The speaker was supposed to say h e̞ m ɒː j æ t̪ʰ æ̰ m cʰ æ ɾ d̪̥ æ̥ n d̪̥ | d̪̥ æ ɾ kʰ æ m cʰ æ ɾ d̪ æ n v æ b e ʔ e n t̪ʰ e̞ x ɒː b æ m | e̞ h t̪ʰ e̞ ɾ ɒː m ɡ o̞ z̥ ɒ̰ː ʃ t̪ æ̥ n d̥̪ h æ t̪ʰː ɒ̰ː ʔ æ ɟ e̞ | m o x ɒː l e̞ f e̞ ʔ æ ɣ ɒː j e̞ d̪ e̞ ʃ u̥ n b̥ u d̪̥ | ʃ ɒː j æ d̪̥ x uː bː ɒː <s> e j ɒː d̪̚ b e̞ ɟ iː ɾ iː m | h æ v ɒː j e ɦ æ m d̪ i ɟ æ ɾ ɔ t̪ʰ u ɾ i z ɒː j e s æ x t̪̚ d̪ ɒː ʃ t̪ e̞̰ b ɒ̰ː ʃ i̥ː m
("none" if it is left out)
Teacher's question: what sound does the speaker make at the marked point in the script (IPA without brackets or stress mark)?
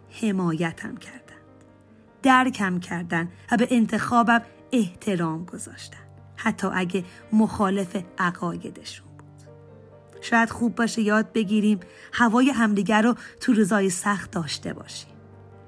ʃ